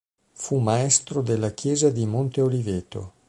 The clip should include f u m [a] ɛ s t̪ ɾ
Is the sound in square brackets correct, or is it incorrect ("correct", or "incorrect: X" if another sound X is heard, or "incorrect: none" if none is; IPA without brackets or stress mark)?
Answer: correct